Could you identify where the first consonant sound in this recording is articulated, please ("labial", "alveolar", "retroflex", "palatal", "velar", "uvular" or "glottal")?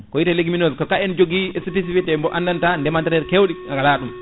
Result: velar